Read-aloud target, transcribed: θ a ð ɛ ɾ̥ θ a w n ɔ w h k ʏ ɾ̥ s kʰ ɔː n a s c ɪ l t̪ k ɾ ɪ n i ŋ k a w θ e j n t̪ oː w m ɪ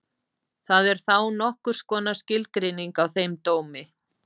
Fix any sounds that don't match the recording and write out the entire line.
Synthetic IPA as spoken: θ a ð ɛ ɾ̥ θ a w n ɔ h k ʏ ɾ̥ s k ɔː n a s c ɪ l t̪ k ɾ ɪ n i ŋ k a w θ e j m t̪ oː w m ɪ

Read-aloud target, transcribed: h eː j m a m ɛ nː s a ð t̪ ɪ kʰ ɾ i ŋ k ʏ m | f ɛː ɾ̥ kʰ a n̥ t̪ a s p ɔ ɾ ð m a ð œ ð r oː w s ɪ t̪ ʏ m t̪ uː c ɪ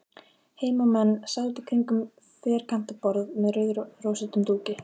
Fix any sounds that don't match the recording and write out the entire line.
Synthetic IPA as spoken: h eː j m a m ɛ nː s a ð t̪ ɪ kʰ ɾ i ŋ k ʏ m | f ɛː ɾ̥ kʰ a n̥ t̪ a p ɔ ɾ ð m ɛ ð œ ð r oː w s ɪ t̪ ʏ m t̪ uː c ɪ

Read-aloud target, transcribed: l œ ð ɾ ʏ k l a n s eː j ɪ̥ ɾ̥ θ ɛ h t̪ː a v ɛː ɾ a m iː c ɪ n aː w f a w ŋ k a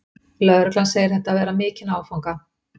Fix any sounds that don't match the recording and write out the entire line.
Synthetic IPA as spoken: l œ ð ɾ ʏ k l a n s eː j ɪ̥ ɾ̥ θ ɛ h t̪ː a v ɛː ɾ a m ɪː c ɪ n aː w f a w ŋ k a

